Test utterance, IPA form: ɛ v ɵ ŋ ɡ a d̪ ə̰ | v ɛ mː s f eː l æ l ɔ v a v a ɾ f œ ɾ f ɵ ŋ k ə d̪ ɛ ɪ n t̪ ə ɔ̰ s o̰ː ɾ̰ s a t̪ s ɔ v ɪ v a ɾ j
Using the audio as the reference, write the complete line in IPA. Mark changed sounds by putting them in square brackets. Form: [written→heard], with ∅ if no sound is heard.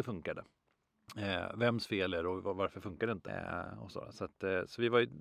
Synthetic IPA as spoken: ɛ [v→f] ɵ ŋ [ɡ→k] a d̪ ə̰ | v ɛ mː s f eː l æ [l→ɾ] ɔ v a v a ɾ f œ ɾ f ɵ ŋ k [ə→a] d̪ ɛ ɪ n t̪ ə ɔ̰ s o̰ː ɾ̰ s a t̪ s ɔ v ɪ v a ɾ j